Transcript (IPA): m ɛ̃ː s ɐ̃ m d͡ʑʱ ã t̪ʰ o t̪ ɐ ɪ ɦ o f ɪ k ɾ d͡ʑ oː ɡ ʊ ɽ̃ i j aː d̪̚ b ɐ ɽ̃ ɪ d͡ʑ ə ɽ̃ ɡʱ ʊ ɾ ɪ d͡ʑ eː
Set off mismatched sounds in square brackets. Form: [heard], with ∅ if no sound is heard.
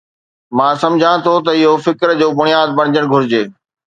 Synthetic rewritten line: m [ãː] s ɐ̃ m d͡ʑʱ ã t̪ʰ o t̪ ɐ ɪ ɦ o f ɪ k ɾ d͡ʑ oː [b] ʊ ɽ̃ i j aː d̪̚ b ɐ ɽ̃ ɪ d͡ʑ ə ɽ̃ ɡʱ ʊ ɾ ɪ d͡ʑ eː